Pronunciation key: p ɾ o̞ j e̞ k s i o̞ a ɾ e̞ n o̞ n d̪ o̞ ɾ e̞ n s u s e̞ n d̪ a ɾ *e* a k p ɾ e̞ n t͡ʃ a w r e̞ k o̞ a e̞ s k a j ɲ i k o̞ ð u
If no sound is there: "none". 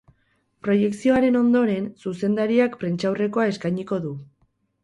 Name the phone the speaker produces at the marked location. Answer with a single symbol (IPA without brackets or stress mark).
i